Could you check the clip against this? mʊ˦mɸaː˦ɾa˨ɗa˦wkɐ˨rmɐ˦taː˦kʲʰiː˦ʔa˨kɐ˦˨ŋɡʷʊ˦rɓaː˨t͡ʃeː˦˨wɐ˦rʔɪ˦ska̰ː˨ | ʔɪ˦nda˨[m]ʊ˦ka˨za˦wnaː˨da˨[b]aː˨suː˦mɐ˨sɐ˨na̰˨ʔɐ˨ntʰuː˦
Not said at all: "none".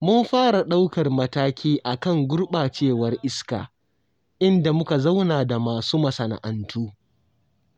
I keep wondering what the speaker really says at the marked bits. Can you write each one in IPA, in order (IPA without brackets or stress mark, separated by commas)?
m, m